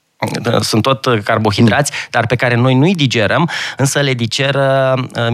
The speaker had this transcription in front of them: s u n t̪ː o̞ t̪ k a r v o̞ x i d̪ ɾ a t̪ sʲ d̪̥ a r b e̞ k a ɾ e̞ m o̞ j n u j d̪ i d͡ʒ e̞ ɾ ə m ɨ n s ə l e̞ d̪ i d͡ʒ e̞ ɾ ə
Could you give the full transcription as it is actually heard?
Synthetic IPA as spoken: s u n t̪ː o̞ t̪ k a r b o̞ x i d̪ ɾ a t̪ sʲ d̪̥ a r p e̞ k a ɾ e̞ n o̞ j n u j d̪ i d͡ʒ e̞ ɾ ə m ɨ n s ə l e̞ d̪ i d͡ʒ e̞ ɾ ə